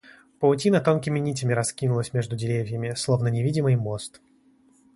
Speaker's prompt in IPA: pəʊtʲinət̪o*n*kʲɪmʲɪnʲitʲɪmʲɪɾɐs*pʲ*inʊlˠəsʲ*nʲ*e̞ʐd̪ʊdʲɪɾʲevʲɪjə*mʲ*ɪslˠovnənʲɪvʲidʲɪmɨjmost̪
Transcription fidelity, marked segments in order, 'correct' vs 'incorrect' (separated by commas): correct, incorrect, incorrect, correct